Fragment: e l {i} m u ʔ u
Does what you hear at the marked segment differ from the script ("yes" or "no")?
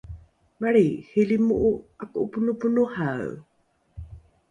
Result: no